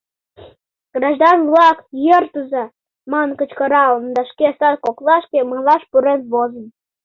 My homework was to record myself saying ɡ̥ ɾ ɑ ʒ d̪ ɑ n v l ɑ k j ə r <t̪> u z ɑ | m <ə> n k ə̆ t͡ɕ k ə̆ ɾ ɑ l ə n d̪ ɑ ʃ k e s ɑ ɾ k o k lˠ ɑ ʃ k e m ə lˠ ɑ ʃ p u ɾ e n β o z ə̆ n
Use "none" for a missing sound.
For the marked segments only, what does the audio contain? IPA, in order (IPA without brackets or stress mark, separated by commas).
t̪, ɑ